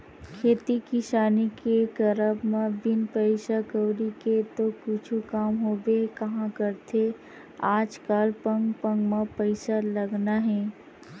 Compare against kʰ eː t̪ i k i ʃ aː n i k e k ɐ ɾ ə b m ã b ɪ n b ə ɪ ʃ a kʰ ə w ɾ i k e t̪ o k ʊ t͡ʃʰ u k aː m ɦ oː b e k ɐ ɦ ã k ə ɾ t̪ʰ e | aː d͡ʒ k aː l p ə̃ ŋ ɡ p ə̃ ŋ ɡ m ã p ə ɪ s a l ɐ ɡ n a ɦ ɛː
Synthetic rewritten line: kʰ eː t̪ i k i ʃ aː n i k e k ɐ ɾ ə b m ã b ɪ n p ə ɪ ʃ a k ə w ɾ i k e t̪ o k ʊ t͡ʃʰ u k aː m ɦ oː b e k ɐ ɦ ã k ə ɾ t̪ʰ e | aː d͡ʒ k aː l p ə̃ ŋ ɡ p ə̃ ŋ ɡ m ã p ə ɪ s a l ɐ ɡ n a ɦ ɛː